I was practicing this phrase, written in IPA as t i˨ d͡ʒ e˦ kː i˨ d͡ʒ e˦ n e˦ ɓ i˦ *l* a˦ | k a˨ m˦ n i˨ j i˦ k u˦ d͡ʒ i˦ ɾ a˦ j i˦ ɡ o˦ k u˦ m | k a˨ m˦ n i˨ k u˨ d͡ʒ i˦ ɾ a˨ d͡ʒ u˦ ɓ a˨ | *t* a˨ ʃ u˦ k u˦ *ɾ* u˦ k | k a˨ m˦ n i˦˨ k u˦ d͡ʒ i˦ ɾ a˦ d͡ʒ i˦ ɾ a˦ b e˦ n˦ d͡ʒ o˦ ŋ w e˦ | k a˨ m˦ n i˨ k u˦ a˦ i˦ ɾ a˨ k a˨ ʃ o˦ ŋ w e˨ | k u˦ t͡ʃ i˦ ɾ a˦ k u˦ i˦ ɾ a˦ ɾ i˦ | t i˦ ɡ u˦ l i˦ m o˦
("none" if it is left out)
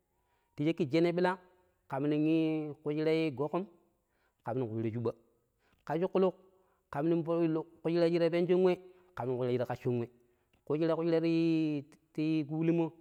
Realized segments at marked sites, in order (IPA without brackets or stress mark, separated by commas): l, k, l